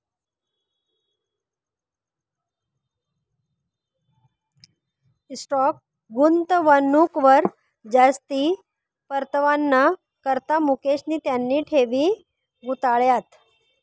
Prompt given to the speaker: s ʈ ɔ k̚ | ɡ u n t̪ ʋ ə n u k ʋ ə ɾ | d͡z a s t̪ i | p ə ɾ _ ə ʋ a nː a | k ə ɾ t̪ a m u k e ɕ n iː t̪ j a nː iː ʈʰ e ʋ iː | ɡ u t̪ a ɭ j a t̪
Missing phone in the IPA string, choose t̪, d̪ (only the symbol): t̪